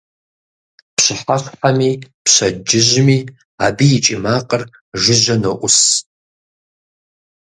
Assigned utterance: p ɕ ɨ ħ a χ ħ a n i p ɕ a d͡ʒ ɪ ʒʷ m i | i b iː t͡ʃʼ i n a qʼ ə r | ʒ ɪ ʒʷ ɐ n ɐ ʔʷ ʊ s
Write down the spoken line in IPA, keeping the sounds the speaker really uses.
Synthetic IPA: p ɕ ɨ ħ a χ ħ a m i p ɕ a d͡ʒ ɪ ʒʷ m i | a b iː t͡ʃʼ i m a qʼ ə r | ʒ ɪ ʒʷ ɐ n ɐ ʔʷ ʊ s